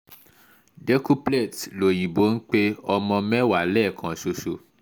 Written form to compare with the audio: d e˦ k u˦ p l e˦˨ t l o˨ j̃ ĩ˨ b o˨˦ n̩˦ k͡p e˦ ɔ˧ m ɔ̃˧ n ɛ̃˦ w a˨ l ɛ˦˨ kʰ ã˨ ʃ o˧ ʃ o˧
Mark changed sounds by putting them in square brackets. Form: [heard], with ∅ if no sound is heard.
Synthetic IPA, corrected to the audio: d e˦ k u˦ p l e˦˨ t l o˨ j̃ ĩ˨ b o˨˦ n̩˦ k͡p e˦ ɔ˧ m ɔ̃˧ [m] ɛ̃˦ w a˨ l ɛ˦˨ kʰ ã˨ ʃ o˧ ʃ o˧